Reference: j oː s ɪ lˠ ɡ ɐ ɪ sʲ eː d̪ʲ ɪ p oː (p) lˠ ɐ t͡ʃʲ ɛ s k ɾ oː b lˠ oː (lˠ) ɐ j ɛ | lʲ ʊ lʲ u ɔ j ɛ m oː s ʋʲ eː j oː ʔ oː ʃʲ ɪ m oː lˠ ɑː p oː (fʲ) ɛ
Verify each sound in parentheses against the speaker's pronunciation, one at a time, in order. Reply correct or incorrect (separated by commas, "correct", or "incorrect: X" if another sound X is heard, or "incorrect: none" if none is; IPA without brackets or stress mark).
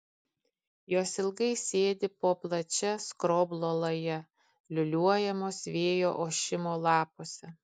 correct, correct, incorrect: sʲ